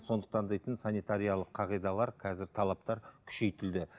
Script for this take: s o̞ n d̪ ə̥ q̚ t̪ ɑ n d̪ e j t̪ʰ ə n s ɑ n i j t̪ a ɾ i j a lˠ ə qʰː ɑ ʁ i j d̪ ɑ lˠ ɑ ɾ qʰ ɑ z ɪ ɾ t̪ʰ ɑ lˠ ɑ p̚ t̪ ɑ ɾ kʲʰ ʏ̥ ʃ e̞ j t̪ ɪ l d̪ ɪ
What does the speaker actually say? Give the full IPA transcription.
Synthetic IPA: s o̞ n d̪ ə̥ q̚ t̪ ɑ n d̪ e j t̪ ə n s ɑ n i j t̪ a ɾ i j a lˠ ə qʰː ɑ ʁ i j d̪ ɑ lˠ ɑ ɾ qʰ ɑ z ɪ ɾ t̪ʰ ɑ lˠ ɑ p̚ t̪ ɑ ɾ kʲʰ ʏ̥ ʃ e̞ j t̪ ɪ l d̪ ɪ